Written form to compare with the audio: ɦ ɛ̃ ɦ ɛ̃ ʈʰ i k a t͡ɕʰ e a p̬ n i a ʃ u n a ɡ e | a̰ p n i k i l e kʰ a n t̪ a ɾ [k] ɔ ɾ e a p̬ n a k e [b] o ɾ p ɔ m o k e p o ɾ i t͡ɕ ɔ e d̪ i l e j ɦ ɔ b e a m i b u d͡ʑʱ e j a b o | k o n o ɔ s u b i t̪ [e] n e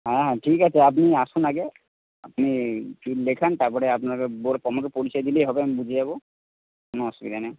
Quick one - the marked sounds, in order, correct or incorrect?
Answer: incorrect: p, correct, incorrect: a

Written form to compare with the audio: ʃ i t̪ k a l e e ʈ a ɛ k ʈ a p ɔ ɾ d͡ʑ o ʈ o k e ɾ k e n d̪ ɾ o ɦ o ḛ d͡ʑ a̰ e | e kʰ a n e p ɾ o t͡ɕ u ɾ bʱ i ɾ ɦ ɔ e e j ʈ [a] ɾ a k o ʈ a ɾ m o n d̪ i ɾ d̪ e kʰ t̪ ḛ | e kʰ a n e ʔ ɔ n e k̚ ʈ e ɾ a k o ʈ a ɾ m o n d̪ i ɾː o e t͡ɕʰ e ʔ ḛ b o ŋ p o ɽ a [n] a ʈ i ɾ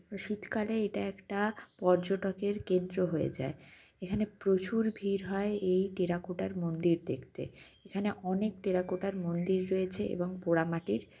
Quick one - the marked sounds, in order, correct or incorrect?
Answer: incorrect: e, incorrect: m

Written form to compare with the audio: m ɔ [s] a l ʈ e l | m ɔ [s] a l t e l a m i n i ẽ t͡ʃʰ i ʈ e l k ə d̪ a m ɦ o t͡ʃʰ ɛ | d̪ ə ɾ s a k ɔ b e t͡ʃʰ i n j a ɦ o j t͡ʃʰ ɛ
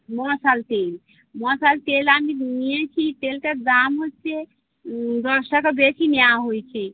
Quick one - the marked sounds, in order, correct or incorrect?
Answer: correct, correct

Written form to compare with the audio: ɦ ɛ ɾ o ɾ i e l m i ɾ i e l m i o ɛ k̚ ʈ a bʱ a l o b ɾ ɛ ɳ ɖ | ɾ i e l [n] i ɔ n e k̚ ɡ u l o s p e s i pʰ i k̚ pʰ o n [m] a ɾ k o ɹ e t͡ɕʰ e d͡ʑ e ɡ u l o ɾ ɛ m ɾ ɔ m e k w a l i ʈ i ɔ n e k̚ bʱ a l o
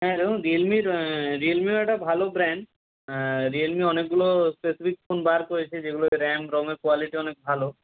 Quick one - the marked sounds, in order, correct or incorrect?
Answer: incorrect: m, incorrect: b

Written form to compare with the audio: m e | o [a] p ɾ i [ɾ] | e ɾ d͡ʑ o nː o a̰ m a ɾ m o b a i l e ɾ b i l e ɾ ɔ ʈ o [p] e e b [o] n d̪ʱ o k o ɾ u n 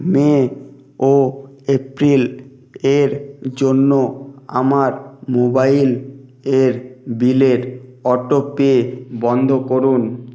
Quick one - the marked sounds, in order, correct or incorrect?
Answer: incorrect: e, incorrect: l, correct, incorrect: ɔ

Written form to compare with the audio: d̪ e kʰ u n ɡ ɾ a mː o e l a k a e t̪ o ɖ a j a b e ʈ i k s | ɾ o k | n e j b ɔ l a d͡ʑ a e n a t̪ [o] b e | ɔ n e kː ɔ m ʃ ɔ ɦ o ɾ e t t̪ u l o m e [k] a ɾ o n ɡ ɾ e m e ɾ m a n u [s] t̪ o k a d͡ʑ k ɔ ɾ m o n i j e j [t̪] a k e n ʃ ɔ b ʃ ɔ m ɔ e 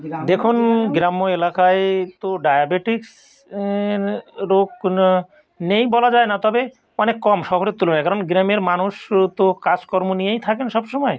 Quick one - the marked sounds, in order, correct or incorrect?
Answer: incorrect: ɔ, correct, incorrect: ʃ, incorrect: t̪ʰ

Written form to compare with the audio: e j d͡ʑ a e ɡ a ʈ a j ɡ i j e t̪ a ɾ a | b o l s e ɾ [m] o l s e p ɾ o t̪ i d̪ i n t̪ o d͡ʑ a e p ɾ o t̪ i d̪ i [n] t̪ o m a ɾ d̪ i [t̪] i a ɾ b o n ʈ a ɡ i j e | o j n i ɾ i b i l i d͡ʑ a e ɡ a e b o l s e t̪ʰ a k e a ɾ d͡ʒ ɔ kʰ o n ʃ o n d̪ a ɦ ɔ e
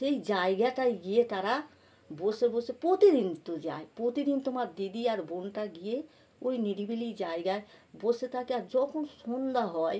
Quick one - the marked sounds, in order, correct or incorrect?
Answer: incorrect: b, correct, incorrect: d̪

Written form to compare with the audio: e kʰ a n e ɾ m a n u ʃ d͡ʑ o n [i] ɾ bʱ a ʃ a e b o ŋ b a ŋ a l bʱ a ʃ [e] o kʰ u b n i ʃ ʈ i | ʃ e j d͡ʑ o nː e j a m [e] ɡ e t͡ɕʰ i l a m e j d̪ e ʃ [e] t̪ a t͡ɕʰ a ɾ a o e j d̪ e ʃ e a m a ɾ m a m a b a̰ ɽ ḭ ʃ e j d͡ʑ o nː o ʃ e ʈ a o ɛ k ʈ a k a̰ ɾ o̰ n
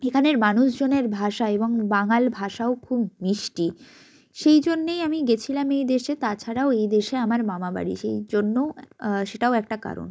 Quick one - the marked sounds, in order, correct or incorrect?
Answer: incorrect: e, incorrect: a, incorrect: i, correct

